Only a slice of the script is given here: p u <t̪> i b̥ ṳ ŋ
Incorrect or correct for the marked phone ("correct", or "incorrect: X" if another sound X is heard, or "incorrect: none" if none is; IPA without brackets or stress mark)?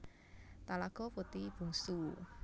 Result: correct